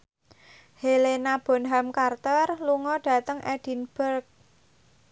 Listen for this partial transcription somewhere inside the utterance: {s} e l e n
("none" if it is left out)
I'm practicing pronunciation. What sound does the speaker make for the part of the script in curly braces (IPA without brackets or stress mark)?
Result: h